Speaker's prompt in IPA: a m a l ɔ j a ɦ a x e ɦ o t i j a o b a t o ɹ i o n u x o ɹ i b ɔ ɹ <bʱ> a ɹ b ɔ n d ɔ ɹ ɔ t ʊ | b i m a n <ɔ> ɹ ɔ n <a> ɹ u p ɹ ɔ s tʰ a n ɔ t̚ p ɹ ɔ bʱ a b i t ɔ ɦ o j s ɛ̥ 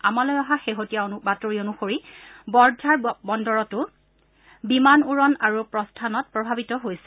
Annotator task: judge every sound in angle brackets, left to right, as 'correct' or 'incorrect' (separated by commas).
incorrect, incorrect, correct